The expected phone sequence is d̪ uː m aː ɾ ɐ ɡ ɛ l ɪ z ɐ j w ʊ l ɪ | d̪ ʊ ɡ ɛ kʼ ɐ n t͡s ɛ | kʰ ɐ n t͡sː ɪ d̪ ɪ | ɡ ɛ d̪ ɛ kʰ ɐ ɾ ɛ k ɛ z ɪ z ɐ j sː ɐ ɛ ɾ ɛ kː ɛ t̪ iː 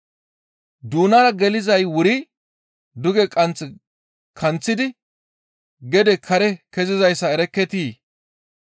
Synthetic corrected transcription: d̪ uː n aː ɾ ɐ ɡ ɛ l ɪ z ɐ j w ʊ ɾ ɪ | d̪ ʊ ɡ ɛ kʼ ɐ n t͡s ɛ | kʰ ɐ n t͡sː ɪ d̪ ɪ | ɡ ɛ d̪ ɛ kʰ ɐ ɾ ɛ k ɛ z ɪ z ɐ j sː ɐ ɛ ɾ ɛ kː ɛ t̪ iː